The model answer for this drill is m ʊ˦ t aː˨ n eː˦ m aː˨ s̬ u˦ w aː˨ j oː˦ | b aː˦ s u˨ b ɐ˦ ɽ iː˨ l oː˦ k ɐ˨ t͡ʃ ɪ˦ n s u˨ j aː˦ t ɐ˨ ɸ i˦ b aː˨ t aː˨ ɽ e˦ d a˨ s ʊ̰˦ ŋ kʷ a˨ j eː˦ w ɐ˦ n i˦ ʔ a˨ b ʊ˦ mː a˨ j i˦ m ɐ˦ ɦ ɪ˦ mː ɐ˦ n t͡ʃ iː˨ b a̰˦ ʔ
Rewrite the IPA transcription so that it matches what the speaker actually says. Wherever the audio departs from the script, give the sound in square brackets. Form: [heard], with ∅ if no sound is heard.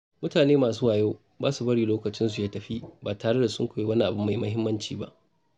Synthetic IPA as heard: m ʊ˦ t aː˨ n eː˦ m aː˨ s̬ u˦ w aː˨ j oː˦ | b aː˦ s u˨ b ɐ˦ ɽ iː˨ l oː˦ k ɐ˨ t͡ʃ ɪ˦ n s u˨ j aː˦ t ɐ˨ ɸ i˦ b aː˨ t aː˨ ɽ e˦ d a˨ s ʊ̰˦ ŋ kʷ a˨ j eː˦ w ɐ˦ n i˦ ʔ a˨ b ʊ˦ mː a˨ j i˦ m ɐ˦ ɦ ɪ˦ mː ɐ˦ n t͡ʃ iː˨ b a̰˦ ʔ